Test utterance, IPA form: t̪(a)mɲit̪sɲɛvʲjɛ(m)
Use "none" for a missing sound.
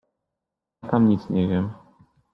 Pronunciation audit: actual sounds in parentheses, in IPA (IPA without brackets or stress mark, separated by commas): a, m